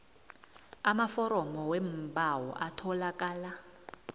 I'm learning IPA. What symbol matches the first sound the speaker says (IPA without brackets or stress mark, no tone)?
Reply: a